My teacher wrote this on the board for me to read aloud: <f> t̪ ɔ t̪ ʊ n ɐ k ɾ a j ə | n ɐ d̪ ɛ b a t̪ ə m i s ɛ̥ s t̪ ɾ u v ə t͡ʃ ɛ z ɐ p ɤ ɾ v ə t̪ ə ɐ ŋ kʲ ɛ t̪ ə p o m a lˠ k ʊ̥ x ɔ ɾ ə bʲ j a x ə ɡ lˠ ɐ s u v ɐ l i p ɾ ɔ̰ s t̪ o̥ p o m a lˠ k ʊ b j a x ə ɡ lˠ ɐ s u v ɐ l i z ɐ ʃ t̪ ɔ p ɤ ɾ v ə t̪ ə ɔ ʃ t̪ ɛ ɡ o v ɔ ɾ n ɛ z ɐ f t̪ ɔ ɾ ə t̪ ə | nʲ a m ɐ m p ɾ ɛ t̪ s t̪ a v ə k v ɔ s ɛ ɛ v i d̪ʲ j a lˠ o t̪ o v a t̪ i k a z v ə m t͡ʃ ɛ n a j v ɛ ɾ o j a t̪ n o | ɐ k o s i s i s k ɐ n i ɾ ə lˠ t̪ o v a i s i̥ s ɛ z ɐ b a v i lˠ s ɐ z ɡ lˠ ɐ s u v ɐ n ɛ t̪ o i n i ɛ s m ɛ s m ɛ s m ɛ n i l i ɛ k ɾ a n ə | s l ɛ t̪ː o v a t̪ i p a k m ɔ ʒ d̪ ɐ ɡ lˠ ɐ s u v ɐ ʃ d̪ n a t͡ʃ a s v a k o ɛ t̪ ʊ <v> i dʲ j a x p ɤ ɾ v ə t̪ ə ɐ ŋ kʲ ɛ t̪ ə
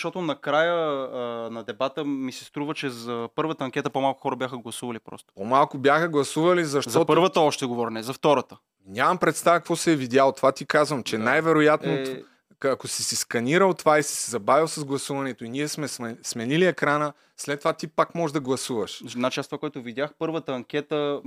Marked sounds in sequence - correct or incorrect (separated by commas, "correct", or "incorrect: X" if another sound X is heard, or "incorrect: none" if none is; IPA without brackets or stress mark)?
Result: incorrect: ʃ, correct